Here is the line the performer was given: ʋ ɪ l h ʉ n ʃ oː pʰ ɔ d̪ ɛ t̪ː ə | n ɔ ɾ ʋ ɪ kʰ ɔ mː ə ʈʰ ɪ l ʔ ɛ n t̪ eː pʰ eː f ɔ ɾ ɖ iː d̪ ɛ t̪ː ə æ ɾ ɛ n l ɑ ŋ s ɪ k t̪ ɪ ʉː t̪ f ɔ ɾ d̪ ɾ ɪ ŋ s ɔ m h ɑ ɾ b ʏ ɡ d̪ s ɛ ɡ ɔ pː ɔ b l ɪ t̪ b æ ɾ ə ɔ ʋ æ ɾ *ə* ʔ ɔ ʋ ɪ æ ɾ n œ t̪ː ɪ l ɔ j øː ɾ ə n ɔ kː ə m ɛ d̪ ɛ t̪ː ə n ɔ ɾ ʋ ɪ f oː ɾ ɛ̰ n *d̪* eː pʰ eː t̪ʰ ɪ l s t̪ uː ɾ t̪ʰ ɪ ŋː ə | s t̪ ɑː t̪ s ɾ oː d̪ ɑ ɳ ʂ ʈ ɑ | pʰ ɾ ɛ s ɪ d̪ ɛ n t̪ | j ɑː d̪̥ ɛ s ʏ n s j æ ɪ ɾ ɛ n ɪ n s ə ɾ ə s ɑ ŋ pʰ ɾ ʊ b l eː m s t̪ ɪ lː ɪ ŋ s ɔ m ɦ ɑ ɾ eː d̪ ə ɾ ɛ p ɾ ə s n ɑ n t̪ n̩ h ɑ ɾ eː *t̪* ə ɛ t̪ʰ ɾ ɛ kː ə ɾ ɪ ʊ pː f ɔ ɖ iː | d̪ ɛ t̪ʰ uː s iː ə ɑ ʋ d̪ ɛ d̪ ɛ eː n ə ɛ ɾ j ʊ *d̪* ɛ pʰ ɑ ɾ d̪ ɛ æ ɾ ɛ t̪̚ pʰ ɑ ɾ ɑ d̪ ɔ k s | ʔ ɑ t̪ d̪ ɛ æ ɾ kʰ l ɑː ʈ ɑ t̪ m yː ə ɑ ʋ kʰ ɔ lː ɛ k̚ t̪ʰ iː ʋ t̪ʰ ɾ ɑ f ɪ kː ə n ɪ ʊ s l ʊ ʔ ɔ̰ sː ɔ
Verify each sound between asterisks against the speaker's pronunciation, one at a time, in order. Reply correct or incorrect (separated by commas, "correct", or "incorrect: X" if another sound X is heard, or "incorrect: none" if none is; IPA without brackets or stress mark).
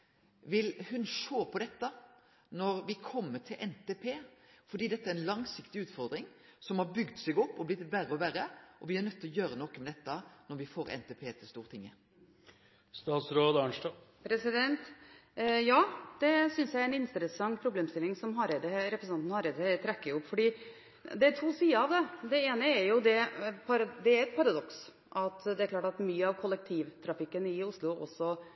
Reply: correct, incorrect: t̪, incorrect: d̪, correct